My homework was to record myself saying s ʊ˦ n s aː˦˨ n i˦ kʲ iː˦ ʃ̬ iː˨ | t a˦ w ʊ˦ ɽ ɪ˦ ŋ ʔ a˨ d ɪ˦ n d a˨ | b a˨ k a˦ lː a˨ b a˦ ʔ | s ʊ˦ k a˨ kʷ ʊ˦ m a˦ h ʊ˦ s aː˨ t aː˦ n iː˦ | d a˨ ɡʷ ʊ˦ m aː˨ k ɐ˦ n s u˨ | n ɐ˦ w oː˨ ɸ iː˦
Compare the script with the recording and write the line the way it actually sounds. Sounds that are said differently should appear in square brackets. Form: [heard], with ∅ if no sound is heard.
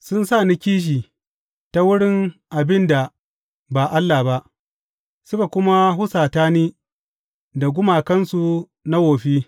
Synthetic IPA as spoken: s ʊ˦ n s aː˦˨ n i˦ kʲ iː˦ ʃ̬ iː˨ | t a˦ w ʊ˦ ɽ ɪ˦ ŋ ʔ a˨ [b] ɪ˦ n d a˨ | b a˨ [ʔ] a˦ lː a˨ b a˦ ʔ | s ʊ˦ k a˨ kʷ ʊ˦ m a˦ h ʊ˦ s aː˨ t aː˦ n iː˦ | d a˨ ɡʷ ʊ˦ m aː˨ k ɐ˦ n s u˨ | n [a˦] w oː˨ ɸ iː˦